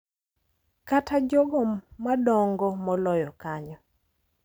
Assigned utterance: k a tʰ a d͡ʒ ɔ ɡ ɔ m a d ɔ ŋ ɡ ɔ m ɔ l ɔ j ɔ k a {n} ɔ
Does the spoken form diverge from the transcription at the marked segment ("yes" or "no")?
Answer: yes